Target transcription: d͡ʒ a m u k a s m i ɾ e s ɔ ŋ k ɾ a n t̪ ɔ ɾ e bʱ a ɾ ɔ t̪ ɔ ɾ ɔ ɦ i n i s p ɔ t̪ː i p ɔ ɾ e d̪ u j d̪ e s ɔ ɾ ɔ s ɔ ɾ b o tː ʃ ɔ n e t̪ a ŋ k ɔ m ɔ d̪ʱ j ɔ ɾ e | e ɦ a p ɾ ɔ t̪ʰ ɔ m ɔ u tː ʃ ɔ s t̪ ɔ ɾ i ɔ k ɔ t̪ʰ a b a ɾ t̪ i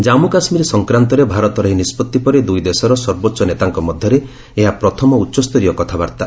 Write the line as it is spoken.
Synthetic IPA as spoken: d͡ʒ a m u k a s m i ɾ e s ɔ ŋ k ɾ a n t̪ ɔ ɾ e bʱ a ɾ ɔ t̪ ɔ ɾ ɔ ɦ i n i s p ɔ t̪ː i p ɔ ɾ e d̪ u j d̪ e s ɔ ɾ ɔ s ɔ ɾ b o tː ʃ ɔ n e t̪ a ŋ k ɔ m ɔ d̪ʱ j ɔ ɾ e | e ɦ a p ɾ ɔ t̪ʰ ɔ m ɔ u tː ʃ ɔ s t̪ ɔ ɾ i ɔ k ɔ t̪ʰ a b a ɾ t̪ a